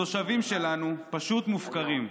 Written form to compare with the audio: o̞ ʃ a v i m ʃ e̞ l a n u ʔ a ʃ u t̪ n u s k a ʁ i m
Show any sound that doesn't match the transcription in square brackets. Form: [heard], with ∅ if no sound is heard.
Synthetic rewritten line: o̞ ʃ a v i m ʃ e̞ l a n u [p] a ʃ u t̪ [m] u [f] k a ʁ i m